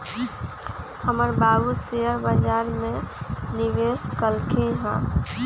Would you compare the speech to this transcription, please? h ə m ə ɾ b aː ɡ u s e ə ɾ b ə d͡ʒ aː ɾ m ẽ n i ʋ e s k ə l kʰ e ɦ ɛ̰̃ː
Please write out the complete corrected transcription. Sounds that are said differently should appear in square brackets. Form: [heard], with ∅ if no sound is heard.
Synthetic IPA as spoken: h ə m ə ɾ b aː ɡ u s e ə ɾ b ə d͡ʒ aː ɾ m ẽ n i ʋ e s k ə l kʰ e ɦ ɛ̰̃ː